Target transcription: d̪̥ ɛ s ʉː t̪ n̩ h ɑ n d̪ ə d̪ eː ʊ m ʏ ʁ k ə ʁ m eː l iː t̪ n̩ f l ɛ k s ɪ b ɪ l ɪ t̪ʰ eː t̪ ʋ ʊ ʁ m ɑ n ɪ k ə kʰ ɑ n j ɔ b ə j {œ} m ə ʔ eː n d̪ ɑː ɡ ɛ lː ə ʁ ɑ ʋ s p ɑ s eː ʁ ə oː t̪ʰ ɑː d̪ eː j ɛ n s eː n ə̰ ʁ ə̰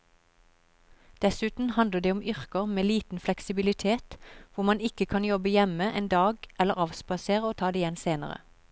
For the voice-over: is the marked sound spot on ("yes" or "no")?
no